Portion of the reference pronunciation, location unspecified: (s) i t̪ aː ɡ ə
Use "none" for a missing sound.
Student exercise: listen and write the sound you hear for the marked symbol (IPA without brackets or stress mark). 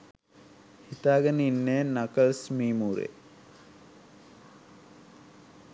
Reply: h